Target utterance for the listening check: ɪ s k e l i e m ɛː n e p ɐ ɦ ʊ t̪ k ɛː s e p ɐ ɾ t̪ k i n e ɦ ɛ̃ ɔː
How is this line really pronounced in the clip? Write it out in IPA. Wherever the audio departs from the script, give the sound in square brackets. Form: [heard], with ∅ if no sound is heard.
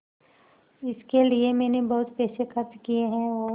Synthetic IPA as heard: ɪ s k e l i e m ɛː n e [b] ɐ ɦ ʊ t̪ [p] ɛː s e [k] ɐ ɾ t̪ k i [∅] e ɦ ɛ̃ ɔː